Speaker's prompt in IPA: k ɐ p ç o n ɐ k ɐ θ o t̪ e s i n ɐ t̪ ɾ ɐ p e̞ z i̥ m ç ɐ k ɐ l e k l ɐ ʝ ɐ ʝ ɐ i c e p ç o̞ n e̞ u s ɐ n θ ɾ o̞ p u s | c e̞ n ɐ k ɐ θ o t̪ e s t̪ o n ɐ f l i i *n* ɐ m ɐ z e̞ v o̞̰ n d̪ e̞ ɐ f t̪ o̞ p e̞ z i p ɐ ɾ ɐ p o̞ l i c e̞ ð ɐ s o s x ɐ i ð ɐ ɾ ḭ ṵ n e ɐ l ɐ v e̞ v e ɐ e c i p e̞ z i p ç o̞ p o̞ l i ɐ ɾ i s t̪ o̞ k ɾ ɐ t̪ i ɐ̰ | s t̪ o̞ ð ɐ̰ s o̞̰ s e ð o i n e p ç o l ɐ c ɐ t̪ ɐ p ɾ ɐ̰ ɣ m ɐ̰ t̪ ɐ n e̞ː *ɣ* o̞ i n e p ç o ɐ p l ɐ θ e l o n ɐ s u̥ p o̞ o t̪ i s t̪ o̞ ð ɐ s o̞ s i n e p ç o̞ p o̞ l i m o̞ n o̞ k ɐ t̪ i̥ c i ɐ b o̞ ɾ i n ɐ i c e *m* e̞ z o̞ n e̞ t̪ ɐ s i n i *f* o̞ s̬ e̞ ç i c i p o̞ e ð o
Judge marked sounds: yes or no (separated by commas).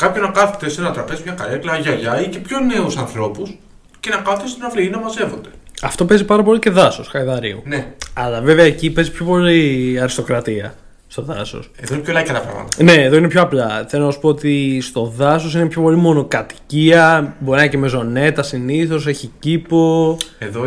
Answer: yes, no, yes, no